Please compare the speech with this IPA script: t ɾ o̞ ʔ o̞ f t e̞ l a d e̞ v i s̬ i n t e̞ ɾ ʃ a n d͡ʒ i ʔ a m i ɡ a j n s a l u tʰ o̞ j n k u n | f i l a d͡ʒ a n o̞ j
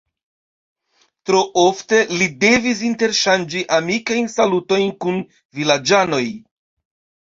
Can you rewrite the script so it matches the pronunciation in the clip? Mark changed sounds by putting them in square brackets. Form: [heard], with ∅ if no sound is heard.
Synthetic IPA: t ɾ o̞ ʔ o̞ f t e̞ l [i] d e̞ v i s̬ i n t e̞ ɾ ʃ a n d͡ʒ i ʔ a m i [k] a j n s a l u [t] o̞ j n k u n | [v] i l a d͡ʒ a n o̞ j